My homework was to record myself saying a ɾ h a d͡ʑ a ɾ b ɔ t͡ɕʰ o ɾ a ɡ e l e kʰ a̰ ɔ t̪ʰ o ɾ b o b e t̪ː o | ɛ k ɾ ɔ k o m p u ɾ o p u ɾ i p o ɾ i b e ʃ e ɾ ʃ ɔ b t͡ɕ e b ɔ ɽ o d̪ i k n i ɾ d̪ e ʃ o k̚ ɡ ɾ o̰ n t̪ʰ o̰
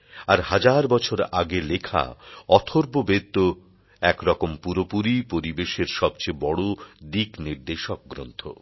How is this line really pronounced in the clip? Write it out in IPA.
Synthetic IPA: a ɾ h a d͡ʑ a ɾ b ɔ t͡ɕʰ o ɾ a ɡ e l e kʰ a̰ ɔ t̪ʰ o ɾ b o b e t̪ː o | ɛ k ɾ ɔ k o m p u ɾ o p u ɾ i p o ɾ i b e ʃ e ɾ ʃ ɔ b t͡ɕ e b ɔ ɽ o d̪ i k n i ɾ d̪ e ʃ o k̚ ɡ ɾ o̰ n t̪ʰ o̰

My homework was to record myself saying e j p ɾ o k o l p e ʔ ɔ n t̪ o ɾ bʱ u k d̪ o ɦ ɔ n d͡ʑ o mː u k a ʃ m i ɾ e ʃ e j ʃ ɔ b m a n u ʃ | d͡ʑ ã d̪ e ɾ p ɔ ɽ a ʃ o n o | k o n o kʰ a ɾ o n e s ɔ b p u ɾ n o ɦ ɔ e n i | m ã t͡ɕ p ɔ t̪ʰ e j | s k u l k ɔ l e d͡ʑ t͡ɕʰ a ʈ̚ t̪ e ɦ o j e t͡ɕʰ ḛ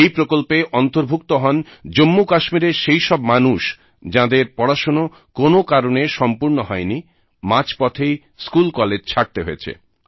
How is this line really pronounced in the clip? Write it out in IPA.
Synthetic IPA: e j p ɾ o k o l p e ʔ ɔ n t̪ o ɾ bʱ u k t̪ o ɦ ɔ n d͡ʑ o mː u k a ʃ m i ɾ e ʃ e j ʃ ɔ b m a n u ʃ | d͡ʑ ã d̪ e ɾ p ɔ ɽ a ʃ o n o | k o n o k a ɾ o n e ʃ ɔ m p u ɾ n o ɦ ɔ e n i | m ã t͡ɕ p ɔ t̪ʰ e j | s k u l k ɔ l e d͡ʑ t͡ɕʰ a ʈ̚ t̪ e ɦ o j e t͡ɕʰ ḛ

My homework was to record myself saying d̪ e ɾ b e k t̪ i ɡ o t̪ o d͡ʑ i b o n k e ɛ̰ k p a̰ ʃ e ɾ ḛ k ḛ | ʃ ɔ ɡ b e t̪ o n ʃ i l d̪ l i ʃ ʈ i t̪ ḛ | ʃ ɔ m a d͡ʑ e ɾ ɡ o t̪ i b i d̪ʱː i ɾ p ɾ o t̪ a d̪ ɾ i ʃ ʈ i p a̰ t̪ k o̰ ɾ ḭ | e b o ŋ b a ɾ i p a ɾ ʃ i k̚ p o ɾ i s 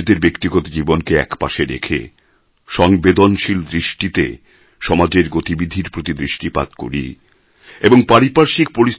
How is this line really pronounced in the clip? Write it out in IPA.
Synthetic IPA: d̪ e ɾ b e k t̪ i ɡ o t̪ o d͡ʑ i b o n k e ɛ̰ k p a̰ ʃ e ɾ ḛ kʰ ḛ | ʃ ɔ ŋ b e d̪ o n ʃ i l d̪ ɾ i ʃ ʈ i t̪ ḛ | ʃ ɔ m a d͡ʑ e ɾ ɡ o t̪ i b i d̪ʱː i ɾ p ɾ o t̪ i d̪ ɾ i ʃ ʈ i p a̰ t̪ k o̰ ɾ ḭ | e b o ŋ p a ɾ i p a ɾ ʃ i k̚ p o ɾ i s

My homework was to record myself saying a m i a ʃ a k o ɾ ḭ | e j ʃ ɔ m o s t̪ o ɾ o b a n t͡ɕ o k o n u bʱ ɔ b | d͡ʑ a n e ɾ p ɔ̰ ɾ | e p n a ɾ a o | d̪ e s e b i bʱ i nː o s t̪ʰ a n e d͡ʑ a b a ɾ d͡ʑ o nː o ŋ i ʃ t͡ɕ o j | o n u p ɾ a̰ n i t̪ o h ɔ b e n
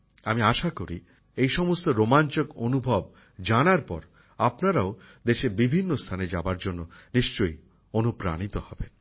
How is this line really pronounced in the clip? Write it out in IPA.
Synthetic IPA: a m i a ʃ a k o ɾ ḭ | e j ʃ ɔ m o s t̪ o ɾ o m a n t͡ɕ o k o n u bʱ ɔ b | d͡ʑ a n a ɾ p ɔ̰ ɾ | a p n a ɾ a o | d̪ e ʃ e b i bʱ i nː o s t̪ʰ a n e d͡ʑ a b a ɾ d͡ʑ o nː o n i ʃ t͡ɕ o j | o n u p ɾ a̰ n i t̪ o h ɔ b e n

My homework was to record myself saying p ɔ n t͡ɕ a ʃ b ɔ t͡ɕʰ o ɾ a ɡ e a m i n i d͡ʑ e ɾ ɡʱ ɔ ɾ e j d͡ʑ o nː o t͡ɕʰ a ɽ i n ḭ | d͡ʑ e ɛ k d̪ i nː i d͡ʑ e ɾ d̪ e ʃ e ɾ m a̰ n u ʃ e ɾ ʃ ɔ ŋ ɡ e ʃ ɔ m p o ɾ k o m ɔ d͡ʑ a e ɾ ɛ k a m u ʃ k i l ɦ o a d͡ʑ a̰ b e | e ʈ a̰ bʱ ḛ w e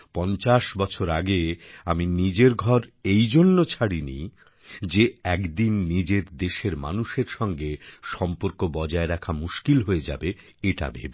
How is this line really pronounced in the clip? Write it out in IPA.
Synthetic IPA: p ɔ n t͡ɕ a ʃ b ɔ t͡ɕʰ o ɾ a ɡ e a m i n i d͡ʑ e ɾ ɡʱ ɔ ɾ e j d͡ʑ o nː o t͡ɕʰ a ɽ i n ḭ | d͡ʑ e ɛ k d̪ i nː i d͡ʑ e ɾ d̪ e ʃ e ɾ m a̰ n u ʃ e ɾ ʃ ɔ ŋ ɡ e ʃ ɔ m p o ɾ k o b ɔ d͡ʑ a e ɾ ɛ kʰ a m u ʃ k i l ɦ o e d͡ʑ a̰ b e | e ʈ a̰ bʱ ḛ b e

